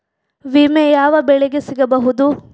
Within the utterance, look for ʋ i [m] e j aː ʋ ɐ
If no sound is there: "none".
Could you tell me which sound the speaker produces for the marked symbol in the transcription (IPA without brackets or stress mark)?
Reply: m